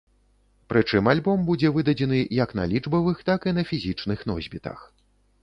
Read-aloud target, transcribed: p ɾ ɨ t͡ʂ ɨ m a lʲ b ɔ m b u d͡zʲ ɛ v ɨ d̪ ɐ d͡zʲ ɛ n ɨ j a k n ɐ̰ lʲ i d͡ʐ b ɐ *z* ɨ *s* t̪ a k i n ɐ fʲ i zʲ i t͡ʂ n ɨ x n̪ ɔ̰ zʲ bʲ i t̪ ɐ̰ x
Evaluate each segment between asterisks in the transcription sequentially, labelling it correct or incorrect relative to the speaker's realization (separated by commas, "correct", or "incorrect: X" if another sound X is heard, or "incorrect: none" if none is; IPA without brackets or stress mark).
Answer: incorrect: v, incorrect: x